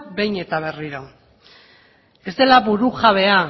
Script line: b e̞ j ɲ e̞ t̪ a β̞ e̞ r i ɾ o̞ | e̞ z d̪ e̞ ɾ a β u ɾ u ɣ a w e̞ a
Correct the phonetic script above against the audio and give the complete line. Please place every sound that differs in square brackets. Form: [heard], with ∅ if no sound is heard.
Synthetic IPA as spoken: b e̞ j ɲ e̞ t̪ a β̞ e̞ r i ɾ o̞ | e̞ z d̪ e̞ [l] a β u ɾ u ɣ a [β] e̞ a

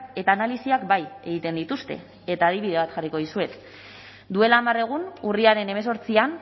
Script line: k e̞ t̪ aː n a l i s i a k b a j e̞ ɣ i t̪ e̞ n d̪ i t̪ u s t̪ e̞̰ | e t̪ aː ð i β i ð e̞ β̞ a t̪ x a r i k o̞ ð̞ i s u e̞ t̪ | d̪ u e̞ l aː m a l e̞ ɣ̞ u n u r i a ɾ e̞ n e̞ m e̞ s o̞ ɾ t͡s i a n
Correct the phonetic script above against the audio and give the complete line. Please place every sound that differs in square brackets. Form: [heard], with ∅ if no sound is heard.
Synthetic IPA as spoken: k e̞ t̪ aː n a l i s i a k b a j e̞ ɣ i t̪ e̞ n d̪ i t̪ u s t̪ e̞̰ | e t̪ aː ð i β i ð e̞ β̞ a t̪ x a r i k o̞ ð̞ i s u e̞ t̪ | d̪ u e̞ l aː m a [r] e̞ ɣ̞ u n u r i a ɾ e̞ n e̞ m e̞ s o̞ ɾ t͡s i a n

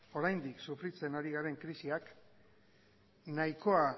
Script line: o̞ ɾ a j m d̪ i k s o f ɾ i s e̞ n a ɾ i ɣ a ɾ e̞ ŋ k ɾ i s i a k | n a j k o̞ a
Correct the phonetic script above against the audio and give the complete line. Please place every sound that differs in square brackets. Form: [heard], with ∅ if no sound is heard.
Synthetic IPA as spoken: o̞ ɾ a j [n] d̪ i k s [u] f ɾ i [t͡s] e̞ n a ɾ i ɣ a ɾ e̞ ŋ k ɾ i s i a k | n a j k o̞ a

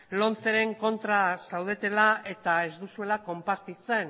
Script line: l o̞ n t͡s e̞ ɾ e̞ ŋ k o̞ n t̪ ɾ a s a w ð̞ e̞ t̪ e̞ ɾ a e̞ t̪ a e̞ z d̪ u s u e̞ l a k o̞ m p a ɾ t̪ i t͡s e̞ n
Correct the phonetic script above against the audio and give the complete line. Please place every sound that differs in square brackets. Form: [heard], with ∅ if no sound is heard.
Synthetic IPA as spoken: l o̞ n t͡s e̞ ɾ e̞ ŋ k o̞ n t̪ ɾ a s a w ð̞ e̞ t̪ e̞ [l] a e̞ t̪ a e̞ z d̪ u s u e̞ l a k o̞ m p a ɾ t̪ i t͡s e̞ n

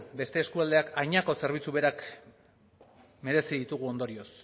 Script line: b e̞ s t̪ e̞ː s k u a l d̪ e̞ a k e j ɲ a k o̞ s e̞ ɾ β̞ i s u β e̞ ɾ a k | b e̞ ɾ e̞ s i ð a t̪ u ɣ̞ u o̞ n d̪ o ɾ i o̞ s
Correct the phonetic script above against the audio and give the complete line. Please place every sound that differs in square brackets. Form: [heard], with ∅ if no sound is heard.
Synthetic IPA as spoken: b e̞ s t̪ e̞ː s k u a l d̪ e̞ a k [a] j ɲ a k o̞ s e̞ ɾ β̞ i [t͡s] u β e̞ ɾ a k | [m] e̞ ɾ e̞ s i ð [i] t̪ u ɣ̞ u o̞ n d̪ o ɾ i o̞ s

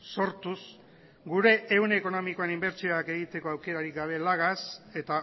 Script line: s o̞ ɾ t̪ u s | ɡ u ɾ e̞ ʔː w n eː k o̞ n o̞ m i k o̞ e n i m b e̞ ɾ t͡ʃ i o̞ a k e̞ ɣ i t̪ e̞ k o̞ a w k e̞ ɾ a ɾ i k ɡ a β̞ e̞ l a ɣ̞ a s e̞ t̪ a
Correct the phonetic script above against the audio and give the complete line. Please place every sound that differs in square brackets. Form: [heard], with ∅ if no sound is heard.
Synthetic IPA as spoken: s o̞ ɾ t̪ u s | ɡ u ɾ e̞ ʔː w n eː k o̞ n o̞ m i k o̞ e n i m b e̞ ɾ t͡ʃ i o̞ a k e̞ ɣ i t̪ e̞ k o̞ a w k e̞ ɾ a ɾ i k ɡ a β̞ e̞ l a ɣ̞ a s e̞ t̪ a

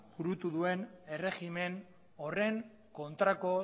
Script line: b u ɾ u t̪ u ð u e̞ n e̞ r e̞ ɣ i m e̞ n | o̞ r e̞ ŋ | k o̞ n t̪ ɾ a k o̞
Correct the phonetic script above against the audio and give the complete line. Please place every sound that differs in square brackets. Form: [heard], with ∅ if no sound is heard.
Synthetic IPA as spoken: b u ɾ u t̪ u ð u e̞ n e̞ r e̞ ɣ i m e̞ n | o̞ r e̞ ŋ | k o̞ n t̪ ɾ a k o̞

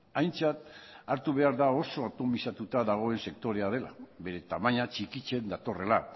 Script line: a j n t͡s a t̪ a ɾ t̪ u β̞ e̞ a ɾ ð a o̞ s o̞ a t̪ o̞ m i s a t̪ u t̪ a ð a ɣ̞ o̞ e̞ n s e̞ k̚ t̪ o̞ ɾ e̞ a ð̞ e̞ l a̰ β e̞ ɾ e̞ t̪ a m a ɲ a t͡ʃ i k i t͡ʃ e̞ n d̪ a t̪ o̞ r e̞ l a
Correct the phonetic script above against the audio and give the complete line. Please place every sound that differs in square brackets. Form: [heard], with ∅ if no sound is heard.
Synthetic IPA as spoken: a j n t͡s a t̪ a ɾ t̪ u β̞ e̞ a ɾ ð a o̞ s o̞ a t̪ o̞ m i s a t̪ u t̪ a ð a ɣ̞ o̞ e̞ n s e̞ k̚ t̪ o̞ ɾ e̞ a ð̞ e̞ l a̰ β e̞ ɾ e̞ t̪ a m a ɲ a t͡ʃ i k i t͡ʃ e̞ n d̪ a t̪ o̞ r e̞ l a

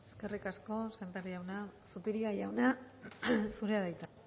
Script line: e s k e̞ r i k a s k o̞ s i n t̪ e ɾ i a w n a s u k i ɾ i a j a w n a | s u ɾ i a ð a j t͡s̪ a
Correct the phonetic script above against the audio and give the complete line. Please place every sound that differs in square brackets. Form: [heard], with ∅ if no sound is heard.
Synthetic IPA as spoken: e s k e̞ r i k a s k o̞ s [e] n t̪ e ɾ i a w n a s u [p] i ɾ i a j a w n a | s u ɾ [e] a ð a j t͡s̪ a

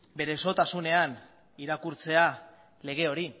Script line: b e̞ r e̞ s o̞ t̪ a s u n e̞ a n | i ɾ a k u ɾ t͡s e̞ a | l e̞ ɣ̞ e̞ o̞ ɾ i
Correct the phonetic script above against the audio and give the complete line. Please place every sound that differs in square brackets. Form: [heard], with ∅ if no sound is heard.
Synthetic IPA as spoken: b e̞ [ɾ] e̞ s o̞ t̪ a s u n e̞ a n | i ɾ a k u ɾ t͡s e̞ a | l e̞ ɣ̞ e̞ o̞ ɾ i

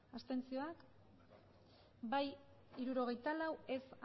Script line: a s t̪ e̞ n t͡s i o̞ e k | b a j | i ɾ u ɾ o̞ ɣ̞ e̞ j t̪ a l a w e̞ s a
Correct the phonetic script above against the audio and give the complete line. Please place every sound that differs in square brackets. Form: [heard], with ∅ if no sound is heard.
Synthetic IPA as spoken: a s t̪ e̞ n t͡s i o̞ [a] k | b a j | i ɾ u ɾ o̞ ɣ̞ e̞ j t̪ a l a w e̞ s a

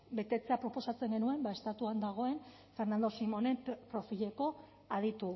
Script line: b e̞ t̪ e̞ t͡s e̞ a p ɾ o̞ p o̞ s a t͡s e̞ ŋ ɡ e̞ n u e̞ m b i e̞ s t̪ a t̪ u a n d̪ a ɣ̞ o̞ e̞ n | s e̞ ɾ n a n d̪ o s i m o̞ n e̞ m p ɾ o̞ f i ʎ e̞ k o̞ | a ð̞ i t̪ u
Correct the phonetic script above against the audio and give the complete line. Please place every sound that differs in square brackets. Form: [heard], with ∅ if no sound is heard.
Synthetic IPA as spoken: b e̞ t̪ e̞ t͡s e̞ a p ɾ o̞ p o̞ s a t͡s e̞ ŋ ɡ e̞ n u e̞ m b [a] e̞ s t̪ a t̪ u a n d̪ a ɣ̞ o̞ e̞ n | [f] e̞ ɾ n a n d̪ o s i m o̞ n e̞ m p ɾ o̞ f i ʎ e̞ k o̞ | a ð̞ i t̪ u

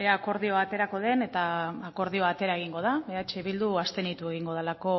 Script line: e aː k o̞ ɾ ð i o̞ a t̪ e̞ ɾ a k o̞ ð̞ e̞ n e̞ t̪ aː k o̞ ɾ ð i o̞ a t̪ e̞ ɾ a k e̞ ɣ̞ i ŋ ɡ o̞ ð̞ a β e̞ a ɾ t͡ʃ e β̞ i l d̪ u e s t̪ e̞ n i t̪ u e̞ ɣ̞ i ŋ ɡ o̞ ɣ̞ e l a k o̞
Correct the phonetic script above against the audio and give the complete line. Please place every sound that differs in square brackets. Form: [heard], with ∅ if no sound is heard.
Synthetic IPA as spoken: e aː k o̞ ɾ ð i o̞ a t̪ e̞ ɾ a k o̞ ð̞ e̞ n e̞ t̪ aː k o̞ ɾ ð i o̞ a t̪ e̞ ɾ a [∅] e̞ ɣ̞ i ŋ ɡ o̞ ð̞ a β e̞ a [∅] t͡ʃ e β̞ i l d̪ u [a] s t̪ e̞ n i t̪ u e̞ ɣ̞ i ŋ ɡ o̞ [ð̞] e l a k o̞

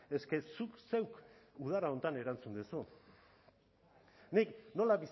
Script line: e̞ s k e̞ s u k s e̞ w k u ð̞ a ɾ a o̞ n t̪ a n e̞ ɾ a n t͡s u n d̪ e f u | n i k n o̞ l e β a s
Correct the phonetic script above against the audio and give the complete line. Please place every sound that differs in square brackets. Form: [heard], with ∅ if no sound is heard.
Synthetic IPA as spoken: e̞ s k e̞ s u k s e̞ w k u ð̞ a ɾ a o̞ n t̪ a n e̞ ɾ a n t͡s u n d̪ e [s] u | n i k n o̞ l [a] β [i] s

